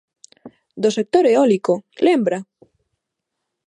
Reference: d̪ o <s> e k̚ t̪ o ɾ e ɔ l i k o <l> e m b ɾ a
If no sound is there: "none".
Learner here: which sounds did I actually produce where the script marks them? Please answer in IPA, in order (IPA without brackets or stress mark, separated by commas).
s, l